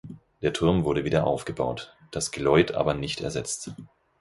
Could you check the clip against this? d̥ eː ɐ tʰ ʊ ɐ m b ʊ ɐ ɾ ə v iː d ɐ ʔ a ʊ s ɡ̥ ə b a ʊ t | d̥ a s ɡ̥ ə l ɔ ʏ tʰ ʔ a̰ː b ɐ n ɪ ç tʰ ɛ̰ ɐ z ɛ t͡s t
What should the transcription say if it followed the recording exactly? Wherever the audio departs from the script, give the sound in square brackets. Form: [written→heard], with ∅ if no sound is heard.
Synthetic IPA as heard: d̥ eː ɐ tʰ ʊ ɐ m [b→v] ʊ ɐ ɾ ə v iː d ɐ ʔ a ʊ [s→f] ɡ̥ ə b a ʊ t | d̥ a s ɡ̥ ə l ɔ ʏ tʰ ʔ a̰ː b ɐ n ɪ ç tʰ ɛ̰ ɐ z ɛ t͡s t

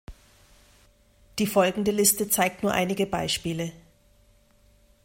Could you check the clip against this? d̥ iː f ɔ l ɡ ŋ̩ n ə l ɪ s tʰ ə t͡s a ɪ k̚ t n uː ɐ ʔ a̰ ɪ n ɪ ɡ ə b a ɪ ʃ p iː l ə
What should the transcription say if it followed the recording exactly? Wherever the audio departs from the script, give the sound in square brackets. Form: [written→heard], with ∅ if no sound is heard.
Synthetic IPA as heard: d̥ iː f ɔ l ɡ ŋ̩ [n→d] ə l ɪ s [tʰ→t] ə t͡s a ɪ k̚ t n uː ɐ ʔ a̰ ɪ n ɪ ɡ ə b a ɪ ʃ p iː l ə

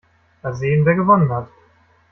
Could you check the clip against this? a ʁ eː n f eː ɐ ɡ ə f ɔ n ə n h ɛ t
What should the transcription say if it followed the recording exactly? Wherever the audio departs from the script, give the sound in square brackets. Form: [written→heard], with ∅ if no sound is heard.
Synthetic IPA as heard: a [ʁ→z] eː n [f→v] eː ɐ ɡ ə [f→v] ɔ n ə n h [ɛ→a] t

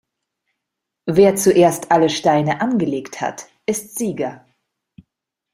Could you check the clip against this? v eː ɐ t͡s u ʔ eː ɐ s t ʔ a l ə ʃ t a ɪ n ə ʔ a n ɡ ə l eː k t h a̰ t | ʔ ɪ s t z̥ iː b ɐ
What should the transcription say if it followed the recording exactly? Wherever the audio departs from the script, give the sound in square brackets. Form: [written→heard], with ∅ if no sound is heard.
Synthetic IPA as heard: v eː ɐ t͡s u ʔ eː ɐ s t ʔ a l ə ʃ t a ɪ n ə ʔ a n ɡ ə l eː k t h a̰ t | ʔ ɪ s t z̥ iː [b→ɡ] ɐ

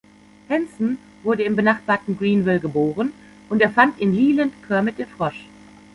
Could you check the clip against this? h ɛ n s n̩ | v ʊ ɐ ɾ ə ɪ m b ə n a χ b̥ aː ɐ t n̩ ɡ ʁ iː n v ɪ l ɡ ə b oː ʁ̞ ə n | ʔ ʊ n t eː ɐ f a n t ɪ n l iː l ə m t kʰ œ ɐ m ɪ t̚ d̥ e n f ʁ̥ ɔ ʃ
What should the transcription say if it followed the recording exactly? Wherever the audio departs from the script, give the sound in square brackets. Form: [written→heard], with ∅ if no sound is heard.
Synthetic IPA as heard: h ɛ n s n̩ | v ʊ ɐ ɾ ə ɪ m b ə n a χ b̥ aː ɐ t n̩ ɡ ʁ iː n v ɪ l ɡ ə b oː ʁ̞ ə n | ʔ ʊ n t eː ɐ f a n t ɪ n l iː l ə [m→n] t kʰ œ ɐ m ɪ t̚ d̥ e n f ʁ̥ ɔ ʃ

